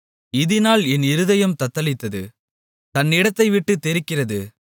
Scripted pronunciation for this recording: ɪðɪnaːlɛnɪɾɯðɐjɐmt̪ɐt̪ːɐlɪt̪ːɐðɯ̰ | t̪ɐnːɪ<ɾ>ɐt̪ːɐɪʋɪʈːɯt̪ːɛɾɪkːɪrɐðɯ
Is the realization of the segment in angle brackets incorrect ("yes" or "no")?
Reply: yes